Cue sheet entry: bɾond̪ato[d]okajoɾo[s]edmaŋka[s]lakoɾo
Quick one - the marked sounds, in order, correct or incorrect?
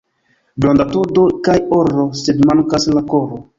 correct, correct, correct

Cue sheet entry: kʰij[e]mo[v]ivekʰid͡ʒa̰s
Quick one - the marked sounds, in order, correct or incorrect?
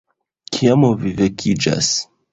incorrect, correct

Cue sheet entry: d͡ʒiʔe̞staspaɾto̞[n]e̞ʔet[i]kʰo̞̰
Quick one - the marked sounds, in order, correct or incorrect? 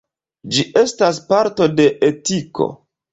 incorrect, correct

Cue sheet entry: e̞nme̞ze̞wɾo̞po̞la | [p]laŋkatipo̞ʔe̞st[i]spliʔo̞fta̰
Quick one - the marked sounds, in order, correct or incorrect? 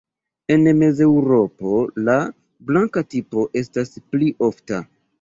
incorrect, incorrect

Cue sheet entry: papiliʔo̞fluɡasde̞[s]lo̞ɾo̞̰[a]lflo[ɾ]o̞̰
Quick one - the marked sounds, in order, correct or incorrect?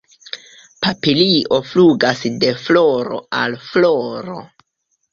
incorrect, correct, correct

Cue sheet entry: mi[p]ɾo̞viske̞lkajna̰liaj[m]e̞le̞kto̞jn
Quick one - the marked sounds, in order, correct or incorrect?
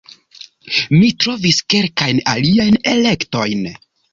incorrect, incorrect

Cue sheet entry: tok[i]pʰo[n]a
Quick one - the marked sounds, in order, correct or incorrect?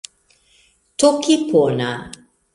correct, correct

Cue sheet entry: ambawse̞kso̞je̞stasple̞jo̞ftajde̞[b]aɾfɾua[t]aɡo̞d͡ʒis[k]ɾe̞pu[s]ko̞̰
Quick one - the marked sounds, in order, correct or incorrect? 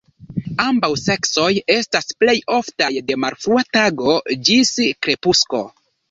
incorrect, correct, correct, correct

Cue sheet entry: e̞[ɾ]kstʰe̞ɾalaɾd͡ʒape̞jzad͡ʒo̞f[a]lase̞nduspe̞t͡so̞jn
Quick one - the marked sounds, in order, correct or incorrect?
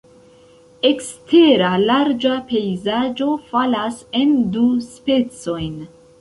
incorrect, correct

